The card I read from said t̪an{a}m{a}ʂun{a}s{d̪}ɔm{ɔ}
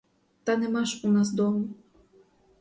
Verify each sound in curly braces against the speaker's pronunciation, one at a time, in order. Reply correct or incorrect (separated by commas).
incorrect, correct, correct, correct, incorrect